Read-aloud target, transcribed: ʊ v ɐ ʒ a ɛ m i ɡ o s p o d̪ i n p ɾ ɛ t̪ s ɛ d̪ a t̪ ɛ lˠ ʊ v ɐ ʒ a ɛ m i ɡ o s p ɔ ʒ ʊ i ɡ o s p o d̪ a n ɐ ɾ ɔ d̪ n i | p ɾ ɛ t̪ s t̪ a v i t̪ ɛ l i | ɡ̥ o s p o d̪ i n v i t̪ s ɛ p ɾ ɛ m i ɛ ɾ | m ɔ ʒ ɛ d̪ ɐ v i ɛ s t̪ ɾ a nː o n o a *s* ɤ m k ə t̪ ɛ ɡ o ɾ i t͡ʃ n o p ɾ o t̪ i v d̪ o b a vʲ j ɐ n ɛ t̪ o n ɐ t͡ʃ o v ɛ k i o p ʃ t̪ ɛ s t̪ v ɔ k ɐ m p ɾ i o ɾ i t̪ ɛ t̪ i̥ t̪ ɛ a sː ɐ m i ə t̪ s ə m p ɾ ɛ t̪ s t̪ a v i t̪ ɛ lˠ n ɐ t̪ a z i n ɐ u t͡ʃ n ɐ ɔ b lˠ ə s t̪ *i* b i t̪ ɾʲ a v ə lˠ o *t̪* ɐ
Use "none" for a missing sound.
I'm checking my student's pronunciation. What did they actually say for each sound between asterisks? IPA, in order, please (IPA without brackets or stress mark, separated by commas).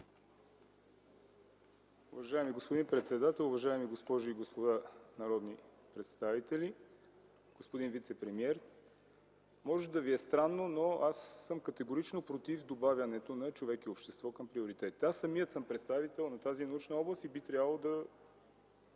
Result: sː, i, d̪